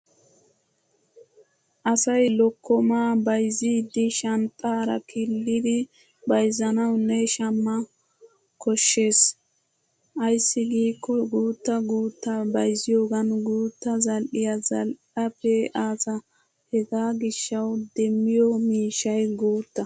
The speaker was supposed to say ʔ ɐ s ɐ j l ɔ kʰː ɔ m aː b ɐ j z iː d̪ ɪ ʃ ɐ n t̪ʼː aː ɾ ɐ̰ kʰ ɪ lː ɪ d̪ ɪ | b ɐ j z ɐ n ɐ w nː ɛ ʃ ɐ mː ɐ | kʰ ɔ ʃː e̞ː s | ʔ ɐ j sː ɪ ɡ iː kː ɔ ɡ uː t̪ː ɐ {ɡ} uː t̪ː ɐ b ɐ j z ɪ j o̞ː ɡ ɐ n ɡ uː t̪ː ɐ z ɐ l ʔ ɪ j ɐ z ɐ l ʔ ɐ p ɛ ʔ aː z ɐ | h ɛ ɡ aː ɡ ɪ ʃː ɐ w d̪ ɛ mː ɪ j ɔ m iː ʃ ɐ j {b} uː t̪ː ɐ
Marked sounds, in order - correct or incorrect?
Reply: correct, incorrect: ɡ

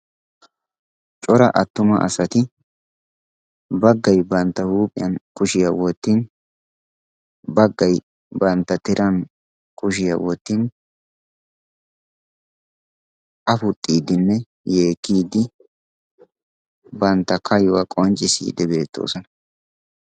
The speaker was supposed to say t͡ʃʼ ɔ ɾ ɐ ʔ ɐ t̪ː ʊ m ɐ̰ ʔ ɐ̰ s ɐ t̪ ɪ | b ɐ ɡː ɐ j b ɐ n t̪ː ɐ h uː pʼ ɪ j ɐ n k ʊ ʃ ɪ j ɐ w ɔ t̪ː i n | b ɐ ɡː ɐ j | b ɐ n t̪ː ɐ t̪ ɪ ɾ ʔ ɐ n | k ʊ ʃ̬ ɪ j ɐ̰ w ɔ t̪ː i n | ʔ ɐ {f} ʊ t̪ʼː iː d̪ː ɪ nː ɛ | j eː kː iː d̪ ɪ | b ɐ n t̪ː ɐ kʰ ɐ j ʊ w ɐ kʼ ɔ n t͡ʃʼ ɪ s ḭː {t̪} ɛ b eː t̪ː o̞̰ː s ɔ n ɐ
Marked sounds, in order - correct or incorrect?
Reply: correct, incorrect: d̪

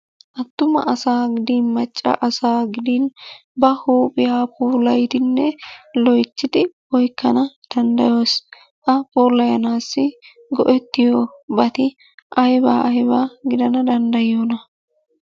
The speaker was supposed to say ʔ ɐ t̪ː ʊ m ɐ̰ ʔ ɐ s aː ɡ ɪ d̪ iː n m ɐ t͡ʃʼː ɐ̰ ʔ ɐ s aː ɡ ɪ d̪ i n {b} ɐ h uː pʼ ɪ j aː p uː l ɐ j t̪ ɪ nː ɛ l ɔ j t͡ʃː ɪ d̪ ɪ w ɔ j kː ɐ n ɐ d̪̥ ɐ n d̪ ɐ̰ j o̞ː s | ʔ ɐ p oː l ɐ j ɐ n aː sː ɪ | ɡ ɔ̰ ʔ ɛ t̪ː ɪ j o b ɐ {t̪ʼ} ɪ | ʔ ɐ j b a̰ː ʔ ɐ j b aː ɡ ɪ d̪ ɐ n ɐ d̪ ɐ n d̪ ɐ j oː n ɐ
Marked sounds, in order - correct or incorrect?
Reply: correct, incorrect: t̪

